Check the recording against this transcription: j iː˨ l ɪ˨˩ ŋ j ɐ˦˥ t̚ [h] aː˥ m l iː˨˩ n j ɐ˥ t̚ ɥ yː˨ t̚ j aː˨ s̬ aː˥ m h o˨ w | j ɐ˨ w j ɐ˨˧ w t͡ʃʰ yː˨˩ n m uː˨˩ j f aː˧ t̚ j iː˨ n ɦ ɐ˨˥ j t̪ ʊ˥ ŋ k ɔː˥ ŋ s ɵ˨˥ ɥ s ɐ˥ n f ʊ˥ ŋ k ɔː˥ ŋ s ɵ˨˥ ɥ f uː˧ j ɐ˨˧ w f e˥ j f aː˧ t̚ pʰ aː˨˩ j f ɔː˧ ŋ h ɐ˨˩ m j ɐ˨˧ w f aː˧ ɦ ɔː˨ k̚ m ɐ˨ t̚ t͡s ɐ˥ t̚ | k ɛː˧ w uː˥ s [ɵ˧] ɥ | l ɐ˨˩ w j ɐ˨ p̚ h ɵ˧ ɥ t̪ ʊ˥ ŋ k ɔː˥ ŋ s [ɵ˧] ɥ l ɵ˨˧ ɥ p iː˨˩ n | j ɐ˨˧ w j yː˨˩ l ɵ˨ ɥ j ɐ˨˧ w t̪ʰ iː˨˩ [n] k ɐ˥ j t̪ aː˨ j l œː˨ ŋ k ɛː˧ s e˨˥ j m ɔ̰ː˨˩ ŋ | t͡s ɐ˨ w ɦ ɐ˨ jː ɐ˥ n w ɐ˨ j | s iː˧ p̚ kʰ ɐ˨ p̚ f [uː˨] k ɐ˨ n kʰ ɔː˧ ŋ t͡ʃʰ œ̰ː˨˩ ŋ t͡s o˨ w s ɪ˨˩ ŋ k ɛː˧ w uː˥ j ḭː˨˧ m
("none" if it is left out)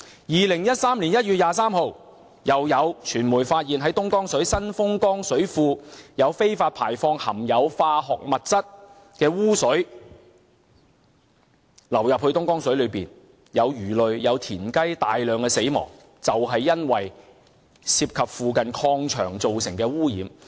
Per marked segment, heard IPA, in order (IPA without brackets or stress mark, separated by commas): s, ɵ˨˥, ɵ˨˥, n, uː˨